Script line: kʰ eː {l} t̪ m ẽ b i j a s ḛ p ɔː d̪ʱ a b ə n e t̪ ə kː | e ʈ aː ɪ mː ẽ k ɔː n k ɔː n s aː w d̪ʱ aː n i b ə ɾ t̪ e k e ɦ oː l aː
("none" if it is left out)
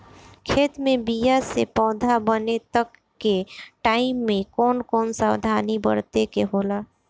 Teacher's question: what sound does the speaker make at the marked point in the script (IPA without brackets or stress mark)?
none